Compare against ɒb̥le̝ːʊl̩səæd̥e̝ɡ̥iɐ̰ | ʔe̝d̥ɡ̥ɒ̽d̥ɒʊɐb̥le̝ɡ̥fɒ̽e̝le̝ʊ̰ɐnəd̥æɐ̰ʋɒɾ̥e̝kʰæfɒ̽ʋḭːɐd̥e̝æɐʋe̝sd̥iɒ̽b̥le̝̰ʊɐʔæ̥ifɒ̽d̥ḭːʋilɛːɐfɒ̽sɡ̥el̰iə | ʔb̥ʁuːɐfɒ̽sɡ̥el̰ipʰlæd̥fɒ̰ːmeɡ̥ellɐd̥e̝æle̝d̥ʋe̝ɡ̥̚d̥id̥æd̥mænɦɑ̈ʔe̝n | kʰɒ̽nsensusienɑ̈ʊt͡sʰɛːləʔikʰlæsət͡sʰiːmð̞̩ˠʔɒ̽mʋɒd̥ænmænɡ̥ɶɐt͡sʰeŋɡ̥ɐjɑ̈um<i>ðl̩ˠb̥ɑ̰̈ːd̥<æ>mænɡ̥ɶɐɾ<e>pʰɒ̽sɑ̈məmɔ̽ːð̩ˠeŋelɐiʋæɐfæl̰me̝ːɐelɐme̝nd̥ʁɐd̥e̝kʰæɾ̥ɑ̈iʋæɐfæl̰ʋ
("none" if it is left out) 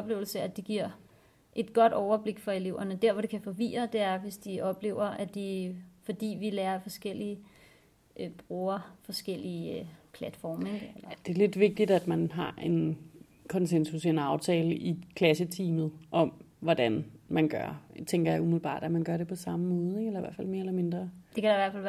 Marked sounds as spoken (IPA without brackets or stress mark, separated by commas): i, æ, e